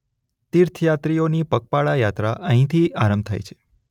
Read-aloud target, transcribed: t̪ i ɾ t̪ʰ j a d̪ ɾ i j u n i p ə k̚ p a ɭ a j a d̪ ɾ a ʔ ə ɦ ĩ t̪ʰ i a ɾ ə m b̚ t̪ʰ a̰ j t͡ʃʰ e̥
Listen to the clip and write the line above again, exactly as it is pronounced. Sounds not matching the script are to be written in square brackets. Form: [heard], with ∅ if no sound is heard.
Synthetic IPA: t̪ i ɾ t̪ʰ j a [t̪] ɾ i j [o] n i p ə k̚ p a ɭ a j a [t̪] ɾ a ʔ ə ɦ ĩ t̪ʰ i a ɾ ə m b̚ t̪ʰ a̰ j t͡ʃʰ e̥